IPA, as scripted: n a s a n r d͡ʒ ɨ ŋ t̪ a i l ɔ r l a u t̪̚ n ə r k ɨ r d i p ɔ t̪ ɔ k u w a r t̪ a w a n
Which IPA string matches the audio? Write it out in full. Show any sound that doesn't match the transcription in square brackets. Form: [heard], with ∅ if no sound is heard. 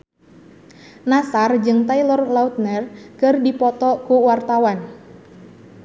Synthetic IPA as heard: n a s a [∅] r d͡ʒ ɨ ŋ t̪ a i l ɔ r l a u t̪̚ n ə r k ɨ r d i p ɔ t̪ ɔ k u w a r t̪ a w a n